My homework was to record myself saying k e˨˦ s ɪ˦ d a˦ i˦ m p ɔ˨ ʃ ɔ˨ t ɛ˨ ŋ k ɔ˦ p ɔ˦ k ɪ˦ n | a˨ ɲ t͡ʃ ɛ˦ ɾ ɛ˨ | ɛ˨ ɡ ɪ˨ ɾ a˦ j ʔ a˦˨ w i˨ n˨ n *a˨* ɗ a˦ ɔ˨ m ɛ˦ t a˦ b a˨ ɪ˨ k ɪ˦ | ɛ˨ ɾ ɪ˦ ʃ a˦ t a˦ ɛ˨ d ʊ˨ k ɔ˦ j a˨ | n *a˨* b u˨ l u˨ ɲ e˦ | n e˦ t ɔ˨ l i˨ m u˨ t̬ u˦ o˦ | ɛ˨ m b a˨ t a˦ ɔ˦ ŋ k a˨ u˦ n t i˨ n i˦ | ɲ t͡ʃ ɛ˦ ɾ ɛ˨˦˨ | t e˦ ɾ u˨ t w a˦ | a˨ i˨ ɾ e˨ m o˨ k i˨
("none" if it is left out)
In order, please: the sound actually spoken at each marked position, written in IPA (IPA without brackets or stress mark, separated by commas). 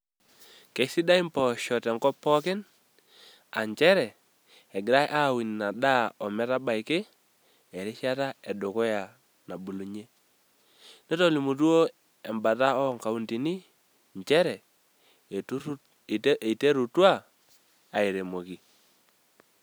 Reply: a˨, a˨